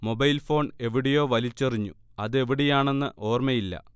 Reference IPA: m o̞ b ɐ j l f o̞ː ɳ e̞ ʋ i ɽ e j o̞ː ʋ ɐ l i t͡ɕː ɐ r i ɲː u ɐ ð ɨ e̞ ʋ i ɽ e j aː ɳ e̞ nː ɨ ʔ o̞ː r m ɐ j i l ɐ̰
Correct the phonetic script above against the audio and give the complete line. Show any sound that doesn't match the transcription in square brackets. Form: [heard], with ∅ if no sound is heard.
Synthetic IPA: m o̞ b ɐ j l f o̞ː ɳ e̞ ʋ i ɽ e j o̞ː ʋ ɐ l i t͡ɕː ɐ r i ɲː u ɐ ð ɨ e̞ ʋ i ɽ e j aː ɳ e̞ nː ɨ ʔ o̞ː r m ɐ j i [lː] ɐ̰